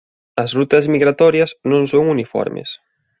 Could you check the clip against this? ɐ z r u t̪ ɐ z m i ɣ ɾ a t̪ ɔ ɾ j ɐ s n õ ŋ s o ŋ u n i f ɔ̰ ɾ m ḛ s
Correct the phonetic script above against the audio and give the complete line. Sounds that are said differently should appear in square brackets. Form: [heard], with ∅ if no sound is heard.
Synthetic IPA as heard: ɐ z r u t̪ ɐ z m i ɣ ɾ a t̪ ɔ ɾ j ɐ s n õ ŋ s o ŋ u n i f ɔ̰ ɾ m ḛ s